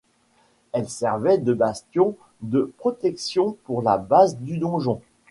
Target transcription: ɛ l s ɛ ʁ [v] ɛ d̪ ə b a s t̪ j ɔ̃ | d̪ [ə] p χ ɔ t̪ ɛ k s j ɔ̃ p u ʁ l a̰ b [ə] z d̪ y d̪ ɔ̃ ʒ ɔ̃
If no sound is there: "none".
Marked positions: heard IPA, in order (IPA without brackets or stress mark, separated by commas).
v, ə, a